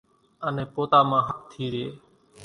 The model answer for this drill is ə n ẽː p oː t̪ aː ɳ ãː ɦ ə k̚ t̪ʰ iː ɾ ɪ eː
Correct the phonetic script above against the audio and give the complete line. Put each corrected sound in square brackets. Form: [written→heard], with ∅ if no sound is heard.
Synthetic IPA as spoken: ə n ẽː p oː t̪ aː [ɳ→m] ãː ɦ ə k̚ t̪ʰ iː ɾ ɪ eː